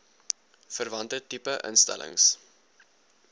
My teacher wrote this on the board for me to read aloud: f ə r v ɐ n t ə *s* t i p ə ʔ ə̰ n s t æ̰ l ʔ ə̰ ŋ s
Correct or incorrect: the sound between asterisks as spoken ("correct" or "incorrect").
incorrect